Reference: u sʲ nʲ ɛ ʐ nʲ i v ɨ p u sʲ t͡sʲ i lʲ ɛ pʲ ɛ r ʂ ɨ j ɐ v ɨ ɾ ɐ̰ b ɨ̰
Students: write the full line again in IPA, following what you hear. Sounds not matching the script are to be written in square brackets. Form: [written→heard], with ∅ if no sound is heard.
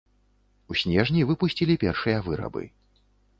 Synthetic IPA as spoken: u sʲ nʲ ɛ ʐ nʲ i v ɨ p u sʲ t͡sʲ i lʲ [ɛ→i] pʲ ɛ r ʂ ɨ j ɐ v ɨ ɾ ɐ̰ b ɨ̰